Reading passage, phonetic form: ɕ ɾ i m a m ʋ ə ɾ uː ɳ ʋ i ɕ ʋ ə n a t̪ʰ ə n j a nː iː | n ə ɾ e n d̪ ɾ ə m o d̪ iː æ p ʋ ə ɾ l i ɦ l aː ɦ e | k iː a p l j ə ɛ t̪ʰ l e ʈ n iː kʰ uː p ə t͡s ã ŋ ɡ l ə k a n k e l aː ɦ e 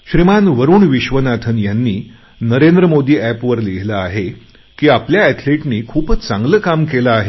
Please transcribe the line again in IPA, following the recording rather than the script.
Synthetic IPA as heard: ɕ ɾ i m a n ʋ ə ɾ uː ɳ ʋ i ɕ ʋ ə n a t̪ʰ ə n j a nː iː | n ə ɾ e n d̪ ɾ ə m o d̪ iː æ p ʋ ə ɾ l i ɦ l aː ɦ e | k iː a p l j a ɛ t̪ʰ l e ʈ n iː kʰ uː p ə t͡s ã ŋ ɡ l ə k a m k e l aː ɦ e